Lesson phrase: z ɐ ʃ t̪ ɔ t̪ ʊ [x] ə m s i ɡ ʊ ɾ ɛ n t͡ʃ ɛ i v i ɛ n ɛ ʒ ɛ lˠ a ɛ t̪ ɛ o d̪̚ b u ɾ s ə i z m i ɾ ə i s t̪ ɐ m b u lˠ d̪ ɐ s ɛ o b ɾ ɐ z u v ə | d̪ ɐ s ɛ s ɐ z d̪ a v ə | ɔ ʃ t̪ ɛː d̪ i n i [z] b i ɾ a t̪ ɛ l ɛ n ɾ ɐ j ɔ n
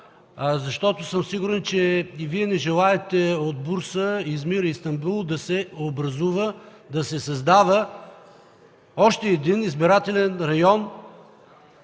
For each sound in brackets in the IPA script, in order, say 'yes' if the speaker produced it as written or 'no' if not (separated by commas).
no, yes